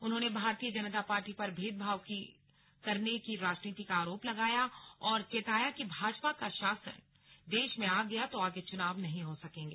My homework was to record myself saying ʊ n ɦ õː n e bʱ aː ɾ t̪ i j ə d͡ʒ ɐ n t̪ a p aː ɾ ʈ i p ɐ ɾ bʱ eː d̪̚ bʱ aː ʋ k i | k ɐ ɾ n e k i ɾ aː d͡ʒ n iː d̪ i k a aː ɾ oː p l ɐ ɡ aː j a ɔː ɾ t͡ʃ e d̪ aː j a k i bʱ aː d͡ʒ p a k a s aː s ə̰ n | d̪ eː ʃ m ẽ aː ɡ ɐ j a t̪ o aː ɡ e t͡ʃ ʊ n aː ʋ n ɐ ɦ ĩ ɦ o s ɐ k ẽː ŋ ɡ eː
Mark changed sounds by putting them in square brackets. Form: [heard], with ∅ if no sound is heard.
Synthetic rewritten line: ʊ n ɦ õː n e bʱ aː ɾ t̪ i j ə d͡ʒ ɐ n t̪ a p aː ɾ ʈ i p ɐ ɾ bʱ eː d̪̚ bʱ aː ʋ k i | k ɐ ɾ n e k i ɾ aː d͡ʒ n iː [t̪] i k a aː ɾ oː p l ɐ ɡ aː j a ɔː ɾ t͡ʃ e [t̪] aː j a k i bʱ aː d͡ʒ p a k a [ʃ] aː s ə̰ n | d̪ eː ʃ m ẽ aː ɡ ɐ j a t̪ o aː ɡ e t͡ʃ ʊ n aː ʋ n ɐ ɦ ĩ ɦ o s ɐ k ẽː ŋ ɡ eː